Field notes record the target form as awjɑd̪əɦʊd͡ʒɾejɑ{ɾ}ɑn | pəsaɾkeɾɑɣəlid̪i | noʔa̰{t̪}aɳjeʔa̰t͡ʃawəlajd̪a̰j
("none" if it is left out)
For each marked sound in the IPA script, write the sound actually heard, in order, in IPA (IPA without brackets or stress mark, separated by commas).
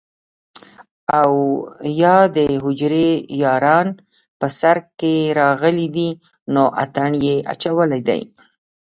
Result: ɾ, t̪